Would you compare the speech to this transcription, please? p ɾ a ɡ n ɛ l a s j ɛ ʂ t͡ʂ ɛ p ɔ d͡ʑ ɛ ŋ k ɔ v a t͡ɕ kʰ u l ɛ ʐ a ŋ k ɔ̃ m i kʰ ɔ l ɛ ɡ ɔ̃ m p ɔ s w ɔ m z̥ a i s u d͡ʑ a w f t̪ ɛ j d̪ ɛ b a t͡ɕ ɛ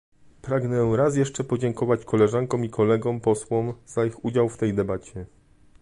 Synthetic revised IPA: p ɾ a ɡ n ɛ ɾ a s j ɛ ʂ t͡ʂ ɛ p ɔ d͡ʑ ɛ ŋ k ɔ v a t͡ɕ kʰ ɔ l ɛ ʐ a ŋ k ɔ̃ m i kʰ ɔ l ɛ ɡ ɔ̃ m p ɔ s w ɔ m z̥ a i x u d͡ʑ a w f t̪ ɛ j d̪ ɛ b a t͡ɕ ɛ